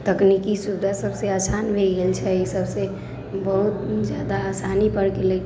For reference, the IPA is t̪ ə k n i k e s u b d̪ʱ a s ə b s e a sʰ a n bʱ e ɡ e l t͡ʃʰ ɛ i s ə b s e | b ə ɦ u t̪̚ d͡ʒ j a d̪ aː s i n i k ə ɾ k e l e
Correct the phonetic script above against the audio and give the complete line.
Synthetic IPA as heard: t̪ ə k n i k i s u b d̪ʱ a s ə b s e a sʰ a n bʱ e ɡ e l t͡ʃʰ ɛ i s ə b s e | b ə ɦ u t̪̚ d͡ʒ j a d̪ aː s a n i p ə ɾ k e l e